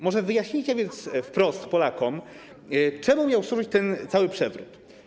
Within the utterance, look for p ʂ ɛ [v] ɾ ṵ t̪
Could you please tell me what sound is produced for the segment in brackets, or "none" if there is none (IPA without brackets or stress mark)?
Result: v